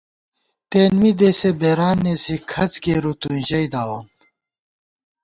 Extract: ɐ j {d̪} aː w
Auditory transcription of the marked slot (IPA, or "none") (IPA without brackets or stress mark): d̪